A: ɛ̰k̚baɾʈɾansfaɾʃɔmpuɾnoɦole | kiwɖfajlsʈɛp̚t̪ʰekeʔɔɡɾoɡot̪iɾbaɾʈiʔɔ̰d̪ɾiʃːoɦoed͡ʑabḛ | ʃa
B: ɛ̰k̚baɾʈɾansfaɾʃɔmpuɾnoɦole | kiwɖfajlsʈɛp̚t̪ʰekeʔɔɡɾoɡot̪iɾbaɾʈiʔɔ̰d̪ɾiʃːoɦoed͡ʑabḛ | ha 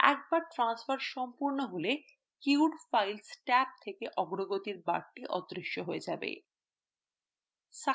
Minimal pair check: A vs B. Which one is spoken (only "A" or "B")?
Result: A